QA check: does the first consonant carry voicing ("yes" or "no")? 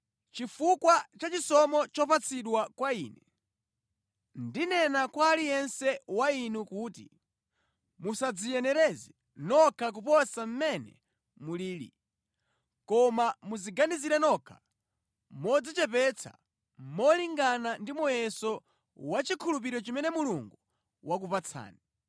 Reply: no